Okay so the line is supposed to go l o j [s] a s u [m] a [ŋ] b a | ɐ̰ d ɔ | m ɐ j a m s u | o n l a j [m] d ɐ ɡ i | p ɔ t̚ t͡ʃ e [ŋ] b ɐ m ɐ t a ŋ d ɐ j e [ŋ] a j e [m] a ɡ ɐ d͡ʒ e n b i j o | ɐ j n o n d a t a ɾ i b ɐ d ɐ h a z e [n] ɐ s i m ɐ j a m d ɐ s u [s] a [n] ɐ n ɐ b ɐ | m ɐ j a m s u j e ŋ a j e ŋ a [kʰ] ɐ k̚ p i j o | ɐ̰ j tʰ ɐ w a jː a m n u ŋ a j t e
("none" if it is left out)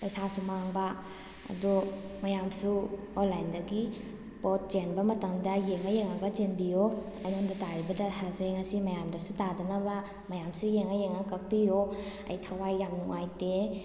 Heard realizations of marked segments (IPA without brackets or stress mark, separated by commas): s, m, ŋ, n, n, ŋ, ŋ, ŋ, t, d, k